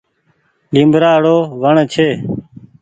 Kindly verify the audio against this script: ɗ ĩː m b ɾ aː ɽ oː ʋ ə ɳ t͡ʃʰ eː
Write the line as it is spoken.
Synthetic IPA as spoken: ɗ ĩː m b ɾ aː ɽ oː ʋ ə ɳ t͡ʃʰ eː